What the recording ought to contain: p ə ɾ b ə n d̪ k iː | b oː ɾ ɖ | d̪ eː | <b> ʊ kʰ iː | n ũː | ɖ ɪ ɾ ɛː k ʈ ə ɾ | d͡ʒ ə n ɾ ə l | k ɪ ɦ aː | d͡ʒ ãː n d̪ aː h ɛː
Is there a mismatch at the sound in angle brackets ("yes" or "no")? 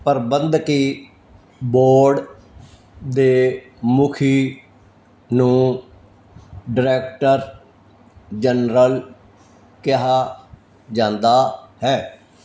yes